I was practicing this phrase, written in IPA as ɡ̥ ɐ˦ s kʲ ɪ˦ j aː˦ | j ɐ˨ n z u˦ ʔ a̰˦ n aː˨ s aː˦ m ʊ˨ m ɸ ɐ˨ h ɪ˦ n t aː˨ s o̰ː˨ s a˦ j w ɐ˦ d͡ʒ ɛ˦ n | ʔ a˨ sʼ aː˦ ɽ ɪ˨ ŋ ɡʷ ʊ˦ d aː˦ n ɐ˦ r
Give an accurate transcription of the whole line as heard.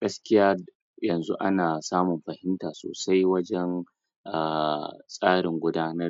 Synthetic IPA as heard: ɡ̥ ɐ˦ s kʲ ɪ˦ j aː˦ | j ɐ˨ n z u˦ ʔ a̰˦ n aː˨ s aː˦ m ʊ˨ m ɸ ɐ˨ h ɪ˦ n t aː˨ s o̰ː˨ s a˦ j w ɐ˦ d͡ʒ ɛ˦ n | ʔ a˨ sʼ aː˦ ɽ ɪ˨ ŋ ɡʷ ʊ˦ d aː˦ n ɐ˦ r